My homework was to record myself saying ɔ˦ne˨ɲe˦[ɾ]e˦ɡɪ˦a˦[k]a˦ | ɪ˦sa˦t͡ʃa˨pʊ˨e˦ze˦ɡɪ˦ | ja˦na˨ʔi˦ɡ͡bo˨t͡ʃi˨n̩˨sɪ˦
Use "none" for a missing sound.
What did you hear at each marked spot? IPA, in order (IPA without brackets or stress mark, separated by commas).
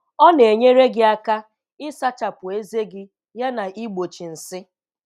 ɾ, k